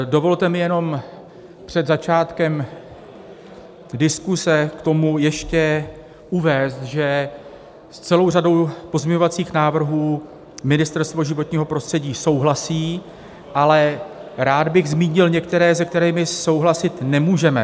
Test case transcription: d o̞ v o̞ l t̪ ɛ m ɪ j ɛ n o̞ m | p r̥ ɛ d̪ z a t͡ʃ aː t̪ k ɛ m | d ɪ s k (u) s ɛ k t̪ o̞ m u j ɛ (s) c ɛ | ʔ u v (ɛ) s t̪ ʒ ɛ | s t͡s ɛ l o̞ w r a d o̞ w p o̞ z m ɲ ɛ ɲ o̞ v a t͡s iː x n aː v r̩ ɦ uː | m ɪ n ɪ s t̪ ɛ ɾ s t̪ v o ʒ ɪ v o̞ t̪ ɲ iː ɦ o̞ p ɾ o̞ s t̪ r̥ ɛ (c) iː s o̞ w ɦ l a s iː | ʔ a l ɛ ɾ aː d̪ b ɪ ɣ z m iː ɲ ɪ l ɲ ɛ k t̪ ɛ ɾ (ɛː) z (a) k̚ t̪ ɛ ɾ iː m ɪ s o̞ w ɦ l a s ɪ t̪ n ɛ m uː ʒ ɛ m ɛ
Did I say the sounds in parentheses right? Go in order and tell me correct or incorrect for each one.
correct, incorrect: ʃ, incorrect: ɛː, incorrect: ɟ, correct, incorrect: ɛ

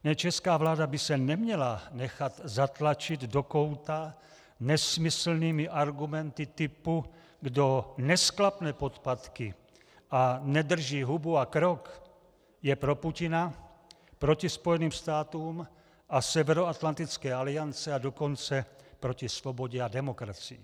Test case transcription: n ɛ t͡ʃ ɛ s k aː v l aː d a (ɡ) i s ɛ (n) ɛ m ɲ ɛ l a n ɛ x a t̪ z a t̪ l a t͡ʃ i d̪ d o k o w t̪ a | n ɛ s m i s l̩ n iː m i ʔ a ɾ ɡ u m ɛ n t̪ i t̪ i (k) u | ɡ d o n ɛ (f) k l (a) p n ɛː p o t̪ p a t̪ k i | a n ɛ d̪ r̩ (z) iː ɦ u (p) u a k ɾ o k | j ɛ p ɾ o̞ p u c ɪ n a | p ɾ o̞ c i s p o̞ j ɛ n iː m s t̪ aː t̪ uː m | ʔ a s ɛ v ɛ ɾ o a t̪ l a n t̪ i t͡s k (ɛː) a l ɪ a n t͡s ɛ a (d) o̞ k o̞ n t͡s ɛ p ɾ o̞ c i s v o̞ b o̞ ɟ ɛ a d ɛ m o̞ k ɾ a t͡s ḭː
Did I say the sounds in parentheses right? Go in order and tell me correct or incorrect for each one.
incorrect: b, correct, incorrect: p, incorrect: s, correct, incorrect: ʒ, incorrect: b, correct, correct

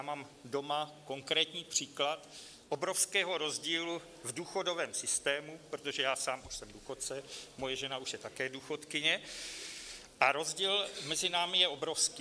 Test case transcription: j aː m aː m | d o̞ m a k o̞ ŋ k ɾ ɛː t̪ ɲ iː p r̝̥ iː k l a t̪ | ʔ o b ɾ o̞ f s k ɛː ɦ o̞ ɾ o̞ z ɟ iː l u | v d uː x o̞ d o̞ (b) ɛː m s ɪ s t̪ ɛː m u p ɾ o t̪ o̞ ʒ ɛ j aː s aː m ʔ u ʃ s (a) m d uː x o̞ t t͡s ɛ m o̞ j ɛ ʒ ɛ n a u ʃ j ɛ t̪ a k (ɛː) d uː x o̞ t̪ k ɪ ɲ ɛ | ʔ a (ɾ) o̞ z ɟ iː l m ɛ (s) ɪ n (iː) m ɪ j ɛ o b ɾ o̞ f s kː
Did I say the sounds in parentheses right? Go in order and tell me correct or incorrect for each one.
incorrect: v, incorrect: ɛ, correct, correct, incorrect: z, incorrect: aː

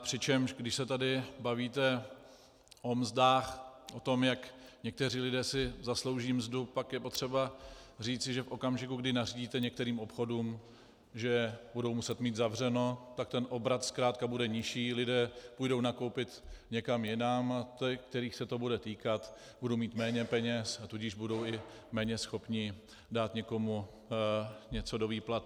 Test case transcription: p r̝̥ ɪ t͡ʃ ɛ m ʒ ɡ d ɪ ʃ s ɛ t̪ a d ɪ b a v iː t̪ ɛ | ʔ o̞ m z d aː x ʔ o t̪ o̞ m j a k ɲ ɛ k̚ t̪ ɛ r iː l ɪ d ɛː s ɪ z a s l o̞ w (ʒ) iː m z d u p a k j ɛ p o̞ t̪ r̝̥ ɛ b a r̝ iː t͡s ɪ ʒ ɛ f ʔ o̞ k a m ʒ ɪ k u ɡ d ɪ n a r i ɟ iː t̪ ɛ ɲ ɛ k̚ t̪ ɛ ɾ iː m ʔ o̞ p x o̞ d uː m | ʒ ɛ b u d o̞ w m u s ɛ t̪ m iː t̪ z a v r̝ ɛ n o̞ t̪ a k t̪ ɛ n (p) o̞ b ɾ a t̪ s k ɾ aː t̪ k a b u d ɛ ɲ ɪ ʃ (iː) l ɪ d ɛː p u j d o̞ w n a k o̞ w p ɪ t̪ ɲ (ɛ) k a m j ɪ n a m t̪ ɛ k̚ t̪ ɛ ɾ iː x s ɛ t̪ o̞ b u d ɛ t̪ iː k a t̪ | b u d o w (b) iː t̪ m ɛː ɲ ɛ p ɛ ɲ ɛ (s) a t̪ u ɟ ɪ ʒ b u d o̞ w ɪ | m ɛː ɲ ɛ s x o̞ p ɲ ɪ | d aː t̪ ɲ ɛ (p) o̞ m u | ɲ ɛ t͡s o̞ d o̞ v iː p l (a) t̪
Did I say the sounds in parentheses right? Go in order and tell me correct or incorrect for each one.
correct, incorrect: ʔ, correct, correct, incorrect: m, correct, incorrect: k, correct

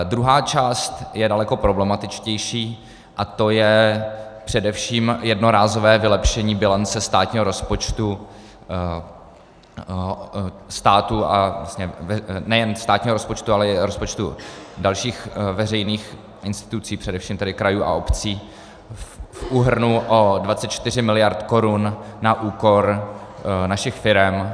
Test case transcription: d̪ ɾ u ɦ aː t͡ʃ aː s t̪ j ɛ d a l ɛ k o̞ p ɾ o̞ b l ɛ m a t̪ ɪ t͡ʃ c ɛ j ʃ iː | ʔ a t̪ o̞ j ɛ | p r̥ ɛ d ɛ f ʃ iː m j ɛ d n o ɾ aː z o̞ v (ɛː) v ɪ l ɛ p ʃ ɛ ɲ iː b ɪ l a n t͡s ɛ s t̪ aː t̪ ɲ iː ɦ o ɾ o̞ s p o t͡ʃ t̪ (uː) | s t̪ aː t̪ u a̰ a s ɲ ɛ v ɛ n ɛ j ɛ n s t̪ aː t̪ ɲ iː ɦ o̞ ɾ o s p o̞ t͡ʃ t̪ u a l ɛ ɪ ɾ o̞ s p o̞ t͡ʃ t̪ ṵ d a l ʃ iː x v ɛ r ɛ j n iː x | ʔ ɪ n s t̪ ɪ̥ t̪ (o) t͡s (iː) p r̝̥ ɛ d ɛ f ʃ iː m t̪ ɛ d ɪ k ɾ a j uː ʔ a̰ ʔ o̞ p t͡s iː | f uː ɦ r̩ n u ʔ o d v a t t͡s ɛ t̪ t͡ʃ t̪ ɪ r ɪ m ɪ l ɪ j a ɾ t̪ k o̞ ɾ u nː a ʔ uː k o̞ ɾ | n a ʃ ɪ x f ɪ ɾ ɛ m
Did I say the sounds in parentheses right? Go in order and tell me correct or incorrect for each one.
correct, incorrect: u, incorrect: u, correct

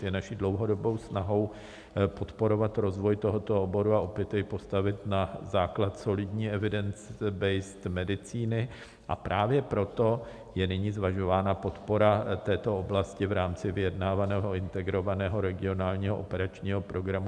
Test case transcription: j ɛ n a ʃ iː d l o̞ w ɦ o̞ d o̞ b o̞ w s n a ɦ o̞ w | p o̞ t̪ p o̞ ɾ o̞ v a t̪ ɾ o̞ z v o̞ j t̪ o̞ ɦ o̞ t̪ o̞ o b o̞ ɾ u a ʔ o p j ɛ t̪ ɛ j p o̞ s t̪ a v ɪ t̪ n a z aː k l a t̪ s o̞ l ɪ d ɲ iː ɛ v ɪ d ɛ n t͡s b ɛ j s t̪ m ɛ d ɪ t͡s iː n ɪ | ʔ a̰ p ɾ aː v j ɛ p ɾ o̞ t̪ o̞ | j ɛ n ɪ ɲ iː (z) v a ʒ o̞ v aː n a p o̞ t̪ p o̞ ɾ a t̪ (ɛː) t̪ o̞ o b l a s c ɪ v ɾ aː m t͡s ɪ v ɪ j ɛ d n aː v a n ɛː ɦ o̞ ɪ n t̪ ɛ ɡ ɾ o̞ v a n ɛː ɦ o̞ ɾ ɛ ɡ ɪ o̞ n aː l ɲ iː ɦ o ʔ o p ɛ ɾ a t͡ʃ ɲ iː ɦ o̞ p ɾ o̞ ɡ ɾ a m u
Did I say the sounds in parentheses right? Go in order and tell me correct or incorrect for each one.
correct, correct

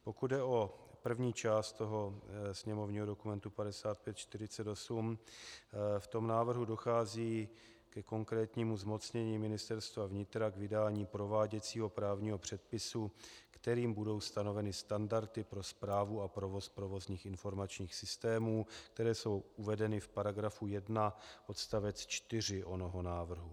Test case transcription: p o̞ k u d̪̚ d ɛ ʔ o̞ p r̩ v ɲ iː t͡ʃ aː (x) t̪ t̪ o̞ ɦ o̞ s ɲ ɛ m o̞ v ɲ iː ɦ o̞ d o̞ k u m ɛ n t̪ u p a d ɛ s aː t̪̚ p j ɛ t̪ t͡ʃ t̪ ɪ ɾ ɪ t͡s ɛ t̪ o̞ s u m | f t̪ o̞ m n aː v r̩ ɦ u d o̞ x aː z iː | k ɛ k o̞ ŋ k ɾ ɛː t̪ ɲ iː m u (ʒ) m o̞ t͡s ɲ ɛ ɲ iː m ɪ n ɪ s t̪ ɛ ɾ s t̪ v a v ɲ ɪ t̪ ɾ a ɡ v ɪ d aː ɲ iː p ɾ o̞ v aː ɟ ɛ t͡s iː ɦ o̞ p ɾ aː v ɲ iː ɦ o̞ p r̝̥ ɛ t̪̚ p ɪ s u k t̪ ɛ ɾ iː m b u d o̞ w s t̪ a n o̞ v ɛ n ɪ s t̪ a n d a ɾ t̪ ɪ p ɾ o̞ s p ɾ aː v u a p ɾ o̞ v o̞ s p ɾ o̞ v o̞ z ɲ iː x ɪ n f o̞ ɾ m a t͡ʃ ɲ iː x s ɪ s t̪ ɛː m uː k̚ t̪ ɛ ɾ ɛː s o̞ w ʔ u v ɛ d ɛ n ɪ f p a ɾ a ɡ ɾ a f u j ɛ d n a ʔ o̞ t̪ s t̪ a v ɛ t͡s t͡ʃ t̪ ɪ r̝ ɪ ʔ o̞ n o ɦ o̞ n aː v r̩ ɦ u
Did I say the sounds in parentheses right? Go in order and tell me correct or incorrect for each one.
incorrect: s, incorrect: z

